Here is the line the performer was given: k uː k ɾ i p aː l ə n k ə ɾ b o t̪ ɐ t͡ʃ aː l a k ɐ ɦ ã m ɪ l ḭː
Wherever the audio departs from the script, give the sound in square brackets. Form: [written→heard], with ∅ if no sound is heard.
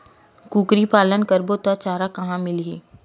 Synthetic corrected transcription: k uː k ɾ i p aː l ə n k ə ɾ b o t̪ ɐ t͡ʃ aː [l→ɾ] a k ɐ ɦ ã m ɪ l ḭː